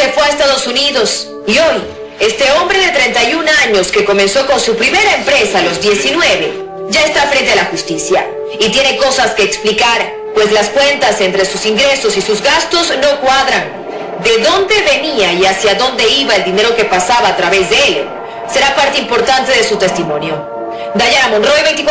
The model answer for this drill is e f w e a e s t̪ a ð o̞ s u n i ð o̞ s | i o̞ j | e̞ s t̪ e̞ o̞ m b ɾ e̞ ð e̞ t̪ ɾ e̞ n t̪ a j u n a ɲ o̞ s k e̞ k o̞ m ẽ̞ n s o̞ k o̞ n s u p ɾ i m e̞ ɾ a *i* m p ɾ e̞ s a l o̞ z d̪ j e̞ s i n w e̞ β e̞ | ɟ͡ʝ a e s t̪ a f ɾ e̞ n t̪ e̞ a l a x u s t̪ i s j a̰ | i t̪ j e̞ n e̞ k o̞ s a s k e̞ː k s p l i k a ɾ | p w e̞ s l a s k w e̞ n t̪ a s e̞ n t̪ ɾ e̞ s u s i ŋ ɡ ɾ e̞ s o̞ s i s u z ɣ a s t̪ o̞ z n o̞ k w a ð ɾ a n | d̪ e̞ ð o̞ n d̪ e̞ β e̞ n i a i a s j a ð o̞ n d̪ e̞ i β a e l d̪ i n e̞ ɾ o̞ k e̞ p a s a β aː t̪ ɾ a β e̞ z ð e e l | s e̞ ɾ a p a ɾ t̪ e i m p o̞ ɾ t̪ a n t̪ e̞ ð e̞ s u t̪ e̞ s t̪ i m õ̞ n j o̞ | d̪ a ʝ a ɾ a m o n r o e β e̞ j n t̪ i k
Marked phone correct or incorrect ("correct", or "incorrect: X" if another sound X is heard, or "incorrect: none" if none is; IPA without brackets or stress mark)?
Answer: incorrect: e